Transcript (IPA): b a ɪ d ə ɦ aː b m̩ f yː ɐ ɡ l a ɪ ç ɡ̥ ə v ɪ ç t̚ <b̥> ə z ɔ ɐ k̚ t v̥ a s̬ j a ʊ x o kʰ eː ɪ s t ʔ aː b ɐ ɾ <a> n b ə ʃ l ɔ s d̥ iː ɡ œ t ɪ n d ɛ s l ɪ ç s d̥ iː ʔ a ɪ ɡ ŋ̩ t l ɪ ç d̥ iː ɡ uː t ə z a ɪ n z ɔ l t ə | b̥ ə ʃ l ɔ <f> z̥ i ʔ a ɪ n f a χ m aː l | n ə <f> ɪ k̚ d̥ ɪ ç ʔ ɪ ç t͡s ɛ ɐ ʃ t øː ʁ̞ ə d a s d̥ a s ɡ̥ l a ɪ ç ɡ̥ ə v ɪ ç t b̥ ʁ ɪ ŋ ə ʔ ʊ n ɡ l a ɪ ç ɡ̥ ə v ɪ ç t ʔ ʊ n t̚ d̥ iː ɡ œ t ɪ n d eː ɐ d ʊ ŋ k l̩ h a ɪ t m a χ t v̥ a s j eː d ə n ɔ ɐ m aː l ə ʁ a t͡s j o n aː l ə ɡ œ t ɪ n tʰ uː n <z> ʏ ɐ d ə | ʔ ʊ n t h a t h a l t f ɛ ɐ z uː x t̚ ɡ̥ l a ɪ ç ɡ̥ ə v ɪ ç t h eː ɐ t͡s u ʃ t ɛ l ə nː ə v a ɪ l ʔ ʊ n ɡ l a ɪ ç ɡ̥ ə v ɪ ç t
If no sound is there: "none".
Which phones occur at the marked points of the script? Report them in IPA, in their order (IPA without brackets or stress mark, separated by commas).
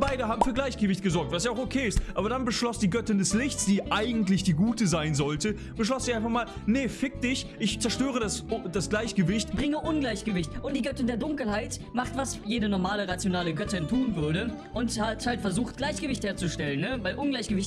ɡ̥, a, s, f, v